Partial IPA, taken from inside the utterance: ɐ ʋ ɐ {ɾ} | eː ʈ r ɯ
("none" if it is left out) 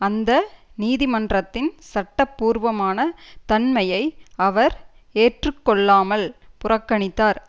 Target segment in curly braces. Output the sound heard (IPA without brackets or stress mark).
ɾ